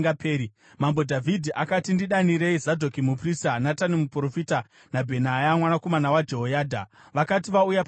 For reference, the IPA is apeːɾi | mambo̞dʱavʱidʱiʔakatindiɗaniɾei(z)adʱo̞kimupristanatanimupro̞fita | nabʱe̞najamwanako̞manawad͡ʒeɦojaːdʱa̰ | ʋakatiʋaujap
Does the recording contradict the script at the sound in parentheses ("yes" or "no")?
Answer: no